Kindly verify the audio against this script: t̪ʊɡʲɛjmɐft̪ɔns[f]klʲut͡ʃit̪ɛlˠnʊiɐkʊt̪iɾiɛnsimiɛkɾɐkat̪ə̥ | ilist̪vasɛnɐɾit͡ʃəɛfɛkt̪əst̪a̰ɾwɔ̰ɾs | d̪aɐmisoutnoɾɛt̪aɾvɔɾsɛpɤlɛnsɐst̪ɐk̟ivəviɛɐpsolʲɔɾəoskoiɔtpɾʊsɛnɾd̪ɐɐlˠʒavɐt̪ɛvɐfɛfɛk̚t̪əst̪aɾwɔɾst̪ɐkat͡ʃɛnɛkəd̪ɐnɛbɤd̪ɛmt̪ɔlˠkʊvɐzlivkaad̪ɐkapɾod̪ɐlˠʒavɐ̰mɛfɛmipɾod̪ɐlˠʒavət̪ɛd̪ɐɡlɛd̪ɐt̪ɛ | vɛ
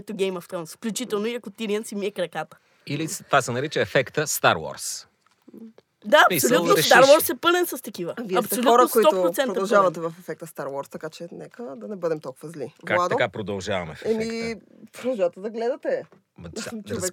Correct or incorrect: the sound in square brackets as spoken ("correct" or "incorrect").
correct